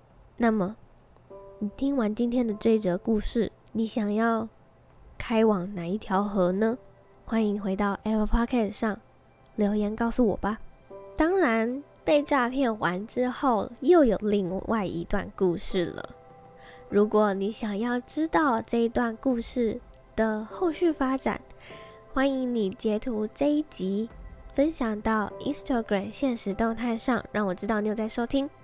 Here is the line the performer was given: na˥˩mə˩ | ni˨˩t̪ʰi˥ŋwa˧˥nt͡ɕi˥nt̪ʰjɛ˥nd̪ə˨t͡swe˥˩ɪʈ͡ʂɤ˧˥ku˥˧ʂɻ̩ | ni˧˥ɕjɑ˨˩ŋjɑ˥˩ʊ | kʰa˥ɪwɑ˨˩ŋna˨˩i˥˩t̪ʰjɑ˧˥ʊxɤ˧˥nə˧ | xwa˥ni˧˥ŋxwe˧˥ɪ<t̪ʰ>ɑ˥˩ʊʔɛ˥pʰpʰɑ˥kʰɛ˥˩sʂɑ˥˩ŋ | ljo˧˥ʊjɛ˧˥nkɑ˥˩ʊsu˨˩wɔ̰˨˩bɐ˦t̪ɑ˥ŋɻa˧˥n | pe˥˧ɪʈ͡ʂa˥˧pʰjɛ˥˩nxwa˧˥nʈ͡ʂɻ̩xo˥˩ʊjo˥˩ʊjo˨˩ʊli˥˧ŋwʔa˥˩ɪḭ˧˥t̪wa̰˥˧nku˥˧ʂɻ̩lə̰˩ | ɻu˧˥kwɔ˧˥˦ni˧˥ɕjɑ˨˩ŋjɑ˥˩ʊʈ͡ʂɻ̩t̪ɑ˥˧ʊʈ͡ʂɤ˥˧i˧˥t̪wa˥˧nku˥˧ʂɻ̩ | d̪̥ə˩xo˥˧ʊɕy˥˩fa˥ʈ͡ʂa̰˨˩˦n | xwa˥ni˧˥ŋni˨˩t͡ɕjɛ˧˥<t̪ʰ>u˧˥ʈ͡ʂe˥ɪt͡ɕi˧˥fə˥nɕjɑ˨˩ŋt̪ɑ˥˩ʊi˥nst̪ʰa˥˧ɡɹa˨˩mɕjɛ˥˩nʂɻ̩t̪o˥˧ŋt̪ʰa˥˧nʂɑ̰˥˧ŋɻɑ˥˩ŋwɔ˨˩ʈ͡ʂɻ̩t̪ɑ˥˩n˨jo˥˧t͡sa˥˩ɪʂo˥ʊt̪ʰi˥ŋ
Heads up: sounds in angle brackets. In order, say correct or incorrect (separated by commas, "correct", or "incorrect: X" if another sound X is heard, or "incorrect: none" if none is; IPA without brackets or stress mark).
incorrect: t̪, correct